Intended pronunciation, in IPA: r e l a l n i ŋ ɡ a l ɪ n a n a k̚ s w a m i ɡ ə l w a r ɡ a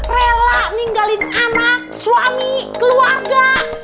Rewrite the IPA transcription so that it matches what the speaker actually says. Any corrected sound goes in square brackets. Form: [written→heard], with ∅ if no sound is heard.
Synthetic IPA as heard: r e l a [l→∅] n i ŋ ɡ a l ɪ n a n a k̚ s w a m i [ɡ→k] ə l [w→u] a r ɡ a